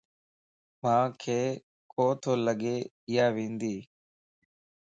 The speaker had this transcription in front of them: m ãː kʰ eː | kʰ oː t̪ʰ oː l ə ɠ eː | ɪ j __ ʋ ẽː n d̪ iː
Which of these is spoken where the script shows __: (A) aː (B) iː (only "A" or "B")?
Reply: A